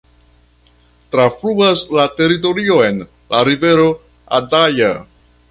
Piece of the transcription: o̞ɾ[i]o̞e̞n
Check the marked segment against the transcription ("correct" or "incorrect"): correct